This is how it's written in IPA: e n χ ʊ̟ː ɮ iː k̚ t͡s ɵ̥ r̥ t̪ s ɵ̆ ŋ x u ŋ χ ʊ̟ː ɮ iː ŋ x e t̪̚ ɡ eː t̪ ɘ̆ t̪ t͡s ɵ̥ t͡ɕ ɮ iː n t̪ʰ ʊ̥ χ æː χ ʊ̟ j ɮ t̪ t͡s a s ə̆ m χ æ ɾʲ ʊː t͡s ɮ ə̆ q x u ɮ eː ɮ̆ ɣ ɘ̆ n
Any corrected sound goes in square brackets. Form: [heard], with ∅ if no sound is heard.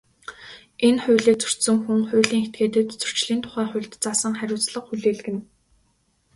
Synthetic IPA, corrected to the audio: e n χ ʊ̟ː ɮ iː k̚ t͡s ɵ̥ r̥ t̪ s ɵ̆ ŋ x u ŋ χ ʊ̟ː ɮ iː ŋ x e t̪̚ ɡ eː t̪ ɘ̆ t̪ t͡s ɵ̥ t͡ɕ ɮ iː n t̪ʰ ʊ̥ χ æː χ ʊ̟ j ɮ t̪ t͡s a s ə̆ [ŋ] χ æ ɾʲ ʊː t͡s ɮ ə̆ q x u ɮ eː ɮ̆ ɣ ɘ̆ n